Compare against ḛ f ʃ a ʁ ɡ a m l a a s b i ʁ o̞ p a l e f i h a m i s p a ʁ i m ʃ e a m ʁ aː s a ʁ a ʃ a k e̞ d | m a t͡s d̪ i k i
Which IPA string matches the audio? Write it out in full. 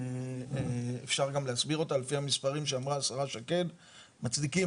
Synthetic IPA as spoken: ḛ f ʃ a ʁ ɡ a m l e a s b i ʁ o̞ t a l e f i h a m i s p a ʁ i m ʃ e a m ʁ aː s a ʁ a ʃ a k e̞ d | m a t͡s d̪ i k i